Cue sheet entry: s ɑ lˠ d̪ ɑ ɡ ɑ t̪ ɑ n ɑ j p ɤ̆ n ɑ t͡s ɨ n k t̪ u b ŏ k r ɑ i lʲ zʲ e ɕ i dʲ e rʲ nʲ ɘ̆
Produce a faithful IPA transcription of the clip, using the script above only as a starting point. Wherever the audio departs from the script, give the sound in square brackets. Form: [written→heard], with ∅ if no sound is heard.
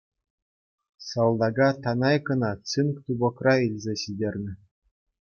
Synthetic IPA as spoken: s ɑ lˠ d̪ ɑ ɡ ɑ t̪ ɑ n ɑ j [p→k] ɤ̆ n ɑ t͡s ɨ n k t̪ u b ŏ k r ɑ i lʲ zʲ e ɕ i dʲ e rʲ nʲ ɘ̆